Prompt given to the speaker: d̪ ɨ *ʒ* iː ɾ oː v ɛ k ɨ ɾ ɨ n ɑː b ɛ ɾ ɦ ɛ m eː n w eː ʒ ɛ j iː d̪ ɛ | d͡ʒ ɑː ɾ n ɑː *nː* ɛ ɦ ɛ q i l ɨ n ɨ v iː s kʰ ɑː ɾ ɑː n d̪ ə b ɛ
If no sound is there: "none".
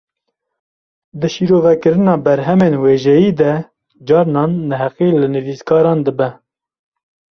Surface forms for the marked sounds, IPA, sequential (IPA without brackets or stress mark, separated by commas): ʃ, nː